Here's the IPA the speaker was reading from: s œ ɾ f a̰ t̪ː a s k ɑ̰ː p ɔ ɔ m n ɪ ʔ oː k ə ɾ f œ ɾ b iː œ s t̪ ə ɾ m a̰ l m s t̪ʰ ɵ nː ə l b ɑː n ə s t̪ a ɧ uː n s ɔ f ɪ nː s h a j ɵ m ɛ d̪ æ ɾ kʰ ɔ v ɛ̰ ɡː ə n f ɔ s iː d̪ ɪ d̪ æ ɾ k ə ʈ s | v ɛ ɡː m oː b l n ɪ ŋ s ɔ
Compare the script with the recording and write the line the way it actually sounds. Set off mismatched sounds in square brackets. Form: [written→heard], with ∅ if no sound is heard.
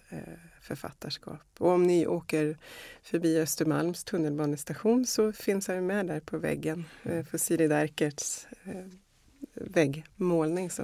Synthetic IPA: [s→f] œ ɾ f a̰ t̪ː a [s→ʂ] k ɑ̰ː p ɔ ɔ m n ɪ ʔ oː k ə ɾ f œ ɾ b iː œ s t̪ ə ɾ m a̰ l m s t̪ʰ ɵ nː ə l b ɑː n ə s t̪ a ɧ uː n s ɔ f ɪ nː s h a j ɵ m ɛ d̪ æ ɾ [kʰ→pʰ] ɔ v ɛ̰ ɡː ə n f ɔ s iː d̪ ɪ d̪ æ ɾ k ə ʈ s | v ɛ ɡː m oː [b→∅] l n ɪ ŋ s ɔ